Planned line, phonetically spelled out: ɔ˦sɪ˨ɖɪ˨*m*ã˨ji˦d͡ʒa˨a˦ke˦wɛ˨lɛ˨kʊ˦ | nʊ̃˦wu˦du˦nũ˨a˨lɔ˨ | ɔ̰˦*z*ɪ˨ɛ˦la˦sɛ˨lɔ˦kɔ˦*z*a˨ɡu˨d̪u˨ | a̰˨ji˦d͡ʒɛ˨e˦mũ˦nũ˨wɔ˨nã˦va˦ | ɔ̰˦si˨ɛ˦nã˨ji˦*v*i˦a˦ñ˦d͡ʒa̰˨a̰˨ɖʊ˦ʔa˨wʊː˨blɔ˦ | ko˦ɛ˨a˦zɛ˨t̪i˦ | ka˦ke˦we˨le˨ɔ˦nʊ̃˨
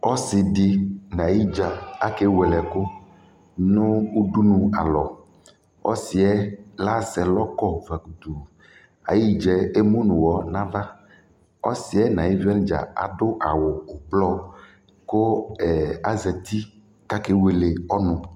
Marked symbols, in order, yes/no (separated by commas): no, no, no, yes